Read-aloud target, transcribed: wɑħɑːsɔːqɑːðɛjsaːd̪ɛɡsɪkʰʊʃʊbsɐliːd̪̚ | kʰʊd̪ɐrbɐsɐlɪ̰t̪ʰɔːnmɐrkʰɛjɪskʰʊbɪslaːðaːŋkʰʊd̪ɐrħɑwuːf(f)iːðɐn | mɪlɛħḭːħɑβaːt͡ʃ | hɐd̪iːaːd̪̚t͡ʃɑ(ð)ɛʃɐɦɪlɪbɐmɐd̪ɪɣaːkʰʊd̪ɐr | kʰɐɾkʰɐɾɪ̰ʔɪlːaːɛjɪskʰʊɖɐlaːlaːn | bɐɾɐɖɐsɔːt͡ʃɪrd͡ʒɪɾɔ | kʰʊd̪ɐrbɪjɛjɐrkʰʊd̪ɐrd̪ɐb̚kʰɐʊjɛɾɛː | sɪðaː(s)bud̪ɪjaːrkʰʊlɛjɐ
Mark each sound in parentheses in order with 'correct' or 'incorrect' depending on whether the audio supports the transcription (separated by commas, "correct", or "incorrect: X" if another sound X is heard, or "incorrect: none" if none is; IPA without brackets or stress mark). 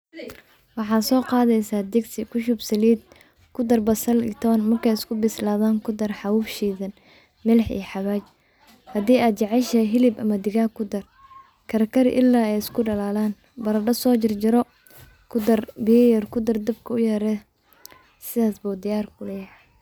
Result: incorrect: ʃ, incorrect: ʕ, correct